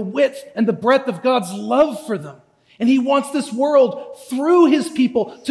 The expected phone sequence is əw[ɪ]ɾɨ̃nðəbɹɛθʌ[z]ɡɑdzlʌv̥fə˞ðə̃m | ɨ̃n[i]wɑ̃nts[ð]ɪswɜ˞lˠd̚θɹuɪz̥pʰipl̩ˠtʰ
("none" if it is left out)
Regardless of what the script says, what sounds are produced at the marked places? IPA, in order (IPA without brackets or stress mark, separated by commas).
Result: ɪ, v, i, ð